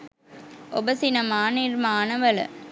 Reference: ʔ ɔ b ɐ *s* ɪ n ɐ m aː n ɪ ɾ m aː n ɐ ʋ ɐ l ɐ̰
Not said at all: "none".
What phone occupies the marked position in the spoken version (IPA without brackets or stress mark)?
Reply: s